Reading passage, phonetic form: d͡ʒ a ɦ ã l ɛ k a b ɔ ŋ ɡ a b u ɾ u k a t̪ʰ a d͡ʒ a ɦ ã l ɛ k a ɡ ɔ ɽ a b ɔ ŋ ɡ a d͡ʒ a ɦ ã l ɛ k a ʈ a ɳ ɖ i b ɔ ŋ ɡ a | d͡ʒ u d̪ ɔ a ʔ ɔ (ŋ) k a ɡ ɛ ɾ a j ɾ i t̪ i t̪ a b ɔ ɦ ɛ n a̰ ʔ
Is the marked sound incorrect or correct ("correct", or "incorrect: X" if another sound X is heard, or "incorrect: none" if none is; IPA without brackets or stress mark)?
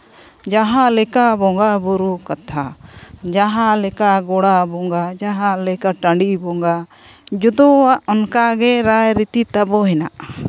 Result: incorrect: n